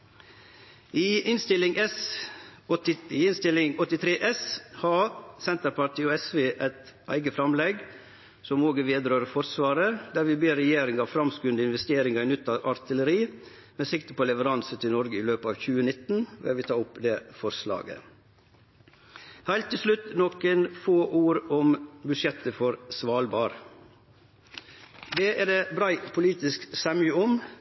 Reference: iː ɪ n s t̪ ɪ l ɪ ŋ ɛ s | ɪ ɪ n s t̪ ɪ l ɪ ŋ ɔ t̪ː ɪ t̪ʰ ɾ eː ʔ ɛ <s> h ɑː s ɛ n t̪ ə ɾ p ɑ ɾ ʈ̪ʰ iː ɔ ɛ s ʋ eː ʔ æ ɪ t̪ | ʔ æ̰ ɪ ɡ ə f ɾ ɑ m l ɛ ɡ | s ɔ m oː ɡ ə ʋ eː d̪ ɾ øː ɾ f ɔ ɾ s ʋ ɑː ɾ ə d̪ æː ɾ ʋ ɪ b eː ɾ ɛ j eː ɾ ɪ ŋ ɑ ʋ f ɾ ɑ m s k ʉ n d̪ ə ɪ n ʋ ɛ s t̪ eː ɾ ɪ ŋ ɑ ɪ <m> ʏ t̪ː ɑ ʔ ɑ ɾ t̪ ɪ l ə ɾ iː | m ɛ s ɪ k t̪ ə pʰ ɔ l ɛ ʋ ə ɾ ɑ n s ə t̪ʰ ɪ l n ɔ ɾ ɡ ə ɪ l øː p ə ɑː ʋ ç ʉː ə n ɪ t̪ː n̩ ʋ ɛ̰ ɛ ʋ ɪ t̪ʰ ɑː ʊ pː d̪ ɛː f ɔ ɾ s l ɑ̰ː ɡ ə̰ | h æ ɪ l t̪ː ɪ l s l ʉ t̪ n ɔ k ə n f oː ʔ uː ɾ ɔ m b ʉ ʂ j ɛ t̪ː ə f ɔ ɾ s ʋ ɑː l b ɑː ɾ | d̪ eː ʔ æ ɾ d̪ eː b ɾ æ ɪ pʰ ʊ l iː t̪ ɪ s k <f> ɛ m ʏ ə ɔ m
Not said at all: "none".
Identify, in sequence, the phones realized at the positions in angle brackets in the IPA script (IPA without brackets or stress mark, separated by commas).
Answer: s, n, s